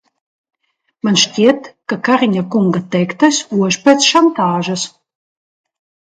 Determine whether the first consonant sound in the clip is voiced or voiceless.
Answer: voiced